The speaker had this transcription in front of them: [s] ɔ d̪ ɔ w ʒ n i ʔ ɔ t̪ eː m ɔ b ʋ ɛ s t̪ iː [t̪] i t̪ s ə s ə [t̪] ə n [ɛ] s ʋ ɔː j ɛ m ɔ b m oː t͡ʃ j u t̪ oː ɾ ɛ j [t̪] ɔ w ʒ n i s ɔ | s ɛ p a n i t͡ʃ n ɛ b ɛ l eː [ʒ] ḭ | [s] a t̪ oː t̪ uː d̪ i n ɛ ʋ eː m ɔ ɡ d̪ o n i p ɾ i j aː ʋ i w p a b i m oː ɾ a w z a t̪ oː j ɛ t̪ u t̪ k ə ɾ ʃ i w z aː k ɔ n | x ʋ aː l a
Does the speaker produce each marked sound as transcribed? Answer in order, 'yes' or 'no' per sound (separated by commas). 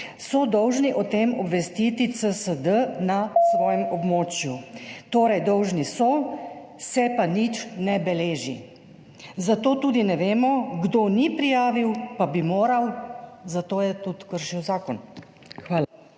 yes, yes, no, no, no, yes, no